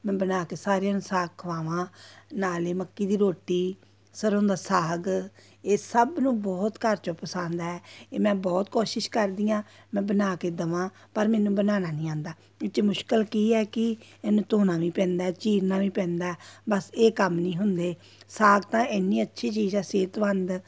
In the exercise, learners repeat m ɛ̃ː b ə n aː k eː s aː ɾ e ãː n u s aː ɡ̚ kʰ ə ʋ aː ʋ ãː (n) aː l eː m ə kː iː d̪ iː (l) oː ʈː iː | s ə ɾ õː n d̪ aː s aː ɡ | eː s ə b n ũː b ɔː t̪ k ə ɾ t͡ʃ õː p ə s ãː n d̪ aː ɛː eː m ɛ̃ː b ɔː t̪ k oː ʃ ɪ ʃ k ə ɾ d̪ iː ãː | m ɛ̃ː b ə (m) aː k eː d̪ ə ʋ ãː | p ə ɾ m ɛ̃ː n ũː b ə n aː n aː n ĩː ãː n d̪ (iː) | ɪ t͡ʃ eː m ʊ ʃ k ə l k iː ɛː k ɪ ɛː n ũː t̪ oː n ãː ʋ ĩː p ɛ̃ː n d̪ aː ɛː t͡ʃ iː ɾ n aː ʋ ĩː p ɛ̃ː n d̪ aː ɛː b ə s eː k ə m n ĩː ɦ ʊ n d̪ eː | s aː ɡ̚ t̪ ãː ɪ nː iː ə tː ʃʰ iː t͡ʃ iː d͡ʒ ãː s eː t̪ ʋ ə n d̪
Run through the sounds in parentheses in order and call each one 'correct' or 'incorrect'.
correct, incorrect: ɾ, incorrect: n, incorrect: aː

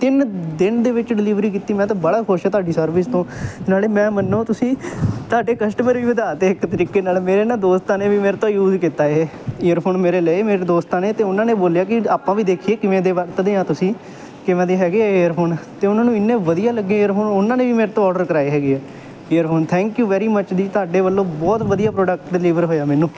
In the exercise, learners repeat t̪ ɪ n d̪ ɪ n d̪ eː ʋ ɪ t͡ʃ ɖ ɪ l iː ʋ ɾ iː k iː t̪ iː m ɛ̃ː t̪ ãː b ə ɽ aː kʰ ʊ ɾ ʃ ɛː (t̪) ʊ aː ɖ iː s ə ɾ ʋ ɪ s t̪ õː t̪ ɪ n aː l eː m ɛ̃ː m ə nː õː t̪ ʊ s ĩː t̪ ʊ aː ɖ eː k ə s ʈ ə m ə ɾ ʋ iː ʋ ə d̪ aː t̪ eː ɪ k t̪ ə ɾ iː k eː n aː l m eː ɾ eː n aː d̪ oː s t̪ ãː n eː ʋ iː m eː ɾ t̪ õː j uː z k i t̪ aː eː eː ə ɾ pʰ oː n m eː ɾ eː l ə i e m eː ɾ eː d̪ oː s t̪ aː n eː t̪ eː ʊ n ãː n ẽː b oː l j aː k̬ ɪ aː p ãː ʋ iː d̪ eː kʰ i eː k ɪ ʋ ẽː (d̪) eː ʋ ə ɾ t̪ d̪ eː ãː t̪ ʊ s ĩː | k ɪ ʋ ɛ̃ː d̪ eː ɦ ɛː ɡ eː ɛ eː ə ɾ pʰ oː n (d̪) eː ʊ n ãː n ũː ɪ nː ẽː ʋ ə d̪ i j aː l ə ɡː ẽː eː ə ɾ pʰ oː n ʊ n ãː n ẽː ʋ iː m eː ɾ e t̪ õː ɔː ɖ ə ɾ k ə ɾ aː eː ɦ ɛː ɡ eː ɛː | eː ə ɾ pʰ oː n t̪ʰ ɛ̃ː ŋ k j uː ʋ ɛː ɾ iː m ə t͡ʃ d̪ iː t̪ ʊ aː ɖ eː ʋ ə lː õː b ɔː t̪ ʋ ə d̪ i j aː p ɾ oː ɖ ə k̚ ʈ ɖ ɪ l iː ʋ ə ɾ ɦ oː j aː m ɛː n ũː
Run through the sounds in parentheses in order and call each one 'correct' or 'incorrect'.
correct, correct, incorrect: t̪

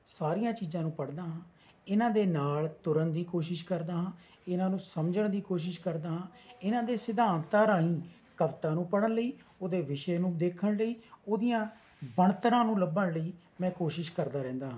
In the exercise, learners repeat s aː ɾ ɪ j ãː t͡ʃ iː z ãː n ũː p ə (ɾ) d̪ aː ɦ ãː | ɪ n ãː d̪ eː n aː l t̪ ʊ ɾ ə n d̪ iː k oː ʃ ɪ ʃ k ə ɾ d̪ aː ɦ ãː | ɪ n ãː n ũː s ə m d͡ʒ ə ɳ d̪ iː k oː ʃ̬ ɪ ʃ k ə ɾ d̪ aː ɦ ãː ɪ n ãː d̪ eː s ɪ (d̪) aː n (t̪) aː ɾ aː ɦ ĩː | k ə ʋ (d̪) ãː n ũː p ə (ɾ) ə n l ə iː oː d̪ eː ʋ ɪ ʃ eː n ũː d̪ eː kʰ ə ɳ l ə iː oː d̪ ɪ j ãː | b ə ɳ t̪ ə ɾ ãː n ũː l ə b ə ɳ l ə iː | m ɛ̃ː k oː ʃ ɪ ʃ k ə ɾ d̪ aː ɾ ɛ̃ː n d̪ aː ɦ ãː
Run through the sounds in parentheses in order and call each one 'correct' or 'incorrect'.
incorrect: ɽ, correct, correct, incorrect: t̪, incorrect: ɽ

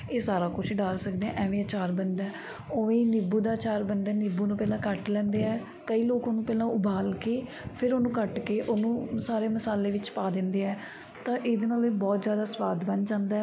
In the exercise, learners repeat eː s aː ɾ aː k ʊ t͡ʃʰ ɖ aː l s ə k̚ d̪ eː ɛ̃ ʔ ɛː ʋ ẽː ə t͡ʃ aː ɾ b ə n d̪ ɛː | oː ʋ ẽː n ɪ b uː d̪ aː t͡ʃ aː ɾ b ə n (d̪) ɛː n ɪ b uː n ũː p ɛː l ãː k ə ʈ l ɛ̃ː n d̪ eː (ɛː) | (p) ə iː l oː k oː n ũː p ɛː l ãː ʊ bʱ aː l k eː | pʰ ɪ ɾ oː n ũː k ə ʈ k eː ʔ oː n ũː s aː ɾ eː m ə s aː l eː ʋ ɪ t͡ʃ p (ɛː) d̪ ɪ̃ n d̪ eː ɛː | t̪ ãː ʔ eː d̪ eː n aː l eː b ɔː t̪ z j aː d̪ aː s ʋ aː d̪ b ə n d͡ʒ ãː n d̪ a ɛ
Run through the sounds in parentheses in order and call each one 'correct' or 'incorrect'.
correct, correct, incorrect: k, incorrect: aː

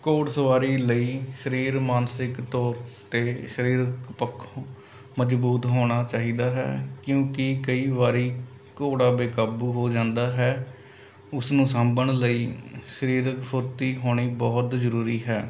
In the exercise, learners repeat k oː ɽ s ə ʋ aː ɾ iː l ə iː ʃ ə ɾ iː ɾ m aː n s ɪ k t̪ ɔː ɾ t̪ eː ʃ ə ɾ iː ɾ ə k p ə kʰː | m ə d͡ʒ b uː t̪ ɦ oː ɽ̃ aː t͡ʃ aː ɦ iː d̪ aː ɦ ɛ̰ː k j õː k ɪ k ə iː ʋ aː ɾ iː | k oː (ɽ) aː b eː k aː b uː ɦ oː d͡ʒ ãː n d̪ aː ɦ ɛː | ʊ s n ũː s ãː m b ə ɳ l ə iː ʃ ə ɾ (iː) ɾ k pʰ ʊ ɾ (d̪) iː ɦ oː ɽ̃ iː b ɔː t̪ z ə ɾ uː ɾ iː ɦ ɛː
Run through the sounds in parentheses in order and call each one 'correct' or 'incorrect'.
correct, correct, incorrect: t̪

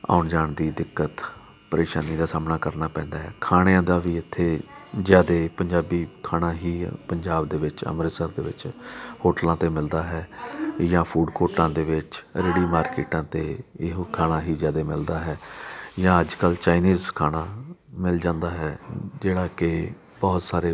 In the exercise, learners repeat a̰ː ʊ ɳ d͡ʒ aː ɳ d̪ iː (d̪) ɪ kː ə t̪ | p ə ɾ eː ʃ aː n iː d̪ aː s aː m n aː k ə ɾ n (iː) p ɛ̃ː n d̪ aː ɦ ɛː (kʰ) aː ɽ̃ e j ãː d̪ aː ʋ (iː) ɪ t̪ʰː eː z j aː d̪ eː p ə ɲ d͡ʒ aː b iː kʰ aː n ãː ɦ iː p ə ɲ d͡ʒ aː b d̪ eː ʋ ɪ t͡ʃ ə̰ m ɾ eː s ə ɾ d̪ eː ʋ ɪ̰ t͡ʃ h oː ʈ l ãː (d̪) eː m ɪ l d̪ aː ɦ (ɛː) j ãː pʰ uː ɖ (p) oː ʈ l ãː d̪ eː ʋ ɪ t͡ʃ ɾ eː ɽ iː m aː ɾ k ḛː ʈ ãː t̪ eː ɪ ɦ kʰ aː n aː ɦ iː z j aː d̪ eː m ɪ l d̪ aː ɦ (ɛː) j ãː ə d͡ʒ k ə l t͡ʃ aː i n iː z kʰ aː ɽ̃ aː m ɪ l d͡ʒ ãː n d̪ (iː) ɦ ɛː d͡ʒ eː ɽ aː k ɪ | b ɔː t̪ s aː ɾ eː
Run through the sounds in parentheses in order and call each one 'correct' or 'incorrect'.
correct, incorrect: aː, correct, correct, incorrect: t̪, correct, incorrect: k, correct, incorrect: aː

